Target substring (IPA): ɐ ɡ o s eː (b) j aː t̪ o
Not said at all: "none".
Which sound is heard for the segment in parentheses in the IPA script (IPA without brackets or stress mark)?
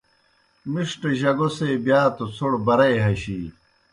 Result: b